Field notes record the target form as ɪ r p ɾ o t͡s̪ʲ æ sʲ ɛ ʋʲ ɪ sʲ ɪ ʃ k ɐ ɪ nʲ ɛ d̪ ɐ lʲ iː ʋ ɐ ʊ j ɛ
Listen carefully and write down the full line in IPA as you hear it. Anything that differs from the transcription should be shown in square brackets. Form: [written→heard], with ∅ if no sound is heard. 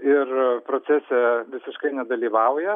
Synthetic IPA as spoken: ɪ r p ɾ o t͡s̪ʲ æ sʲ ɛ ʋʲ ɪ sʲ ɪ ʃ k ɐ ɪ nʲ ɛ d̪ ɐ lʲ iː ʋ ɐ ʊ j ɛ